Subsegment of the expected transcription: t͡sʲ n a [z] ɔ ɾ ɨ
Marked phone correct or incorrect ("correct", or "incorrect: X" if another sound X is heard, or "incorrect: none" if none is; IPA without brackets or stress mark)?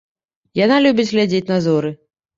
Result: correct